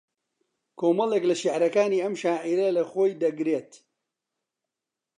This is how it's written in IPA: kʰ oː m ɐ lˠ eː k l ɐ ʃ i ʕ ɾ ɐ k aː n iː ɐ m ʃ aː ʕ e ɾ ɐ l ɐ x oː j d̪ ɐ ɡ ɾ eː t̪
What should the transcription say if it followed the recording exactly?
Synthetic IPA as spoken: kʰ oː m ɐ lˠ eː k l ɐ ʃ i ʕ ɾ ɐ k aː n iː ɐ m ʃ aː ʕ i ɾ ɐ l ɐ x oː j d̪ ɐ ɡ ɾ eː t̪